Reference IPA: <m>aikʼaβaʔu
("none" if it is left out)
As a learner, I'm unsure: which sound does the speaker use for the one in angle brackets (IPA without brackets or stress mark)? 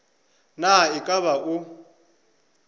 n